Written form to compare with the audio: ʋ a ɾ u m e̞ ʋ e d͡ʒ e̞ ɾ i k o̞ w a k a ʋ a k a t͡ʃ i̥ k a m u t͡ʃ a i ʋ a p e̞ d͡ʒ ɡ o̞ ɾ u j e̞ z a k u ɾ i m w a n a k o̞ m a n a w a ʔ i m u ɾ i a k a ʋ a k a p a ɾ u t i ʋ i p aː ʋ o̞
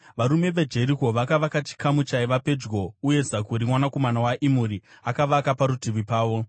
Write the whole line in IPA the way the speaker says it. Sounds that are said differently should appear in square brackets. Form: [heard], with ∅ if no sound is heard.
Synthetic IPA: ʋ a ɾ u m e̞ ʋ e d͡ʒ e̞ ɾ i k o̞ [ʋ] a k a ʋ a k a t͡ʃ i̥ k a m u t͡ʃ a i ʋ a p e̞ d͡ʒ ɡ o̞ [∅] u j e̞ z a k u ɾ i m w a n a k o̞ m a n a w a ʔ i m u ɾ i a k a ʋ a k a p a ɾ u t i ʋ i p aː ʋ o̞